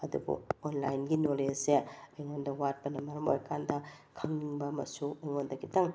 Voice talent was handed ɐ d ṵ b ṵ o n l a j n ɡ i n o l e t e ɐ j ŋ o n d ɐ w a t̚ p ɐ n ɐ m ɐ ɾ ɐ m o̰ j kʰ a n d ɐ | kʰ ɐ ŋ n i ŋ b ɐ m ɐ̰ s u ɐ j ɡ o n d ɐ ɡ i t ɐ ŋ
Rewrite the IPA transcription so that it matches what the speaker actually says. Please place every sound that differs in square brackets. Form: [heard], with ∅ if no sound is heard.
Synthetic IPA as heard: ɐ d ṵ b ṵ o n l a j n ɡ i n o l e [s] e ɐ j ŋ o n d ɐ w a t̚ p ɐ n ɐ m ɐ ɾ ɐ m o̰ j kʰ a n d ɐ | kʰ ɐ ŋ n i ŋ b ɐ m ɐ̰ s u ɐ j [ŋ] o n d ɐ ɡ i t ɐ ŋ

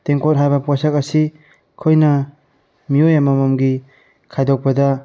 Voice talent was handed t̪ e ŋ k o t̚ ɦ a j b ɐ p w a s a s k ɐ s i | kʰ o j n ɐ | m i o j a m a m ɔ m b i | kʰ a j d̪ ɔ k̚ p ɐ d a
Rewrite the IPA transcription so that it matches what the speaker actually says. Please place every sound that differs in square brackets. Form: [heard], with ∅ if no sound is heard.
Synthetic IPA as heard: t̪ e ŋ k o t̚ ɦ a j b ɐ p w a s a [∅] k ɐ s i | kʰ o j n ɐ | m i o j a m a m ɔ m [ɡ] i | kʰ a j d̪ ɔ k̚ p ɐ d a

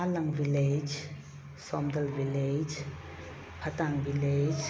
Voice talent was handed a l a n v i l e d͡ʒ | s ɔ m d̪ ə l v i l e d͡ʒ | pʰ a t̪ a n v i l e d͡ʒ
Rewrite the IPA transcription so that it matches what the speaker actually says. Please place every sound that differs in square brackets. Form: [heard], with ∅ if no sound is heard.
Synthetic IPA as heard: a l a [ŋ] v i l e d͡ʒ | s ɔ m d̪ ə l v i l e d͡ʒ | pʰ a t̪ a [ŋ] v i l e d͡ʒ

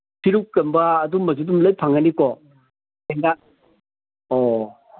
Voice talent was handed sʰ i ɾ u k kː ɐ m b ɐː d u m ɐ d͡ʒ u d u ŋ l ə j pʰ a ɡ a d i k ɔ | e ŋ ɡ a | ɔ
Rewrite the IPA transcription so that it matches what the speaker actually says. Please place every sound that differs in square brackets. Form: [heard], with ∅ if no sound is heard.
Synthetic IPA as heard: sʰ i ɾ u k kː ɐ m b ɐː d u m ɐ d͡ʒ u d u [m] l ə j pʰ a [ŋ] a [n] i k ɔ | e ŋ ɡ a | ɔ

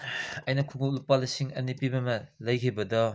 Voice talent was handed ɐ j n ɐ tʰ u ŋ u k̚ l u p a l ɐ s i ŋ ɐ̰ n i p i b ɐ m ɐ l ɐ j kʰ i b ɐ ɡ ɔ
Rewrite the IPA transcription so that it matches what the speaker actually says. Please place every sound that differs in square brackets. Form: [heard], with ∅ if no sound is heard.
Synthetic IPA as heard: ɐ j n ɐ [kʰ] u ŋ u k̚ l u p a l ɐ s i ŋ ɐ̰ n i p i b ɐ m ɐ l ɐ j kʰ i b ɐ [d] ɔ

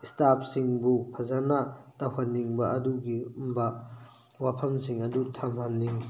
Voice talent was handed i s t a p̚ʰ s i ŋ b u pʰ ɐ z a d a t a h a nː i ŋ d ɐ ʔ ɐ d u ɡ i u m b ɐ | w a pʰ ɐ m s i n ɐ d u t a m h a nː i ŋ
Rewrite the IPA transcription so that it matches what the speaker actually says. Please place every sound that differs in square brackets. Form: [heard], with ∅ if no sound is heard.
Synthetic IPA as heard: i s t a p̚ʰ s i ŋ b u pʰ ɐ z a [n] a t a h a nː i ŋ [b] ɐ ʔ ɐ d u ɡ i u m b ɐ | w a pʰ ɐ m s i [ŋ] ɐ d u [tʰ] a m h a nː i ŋ

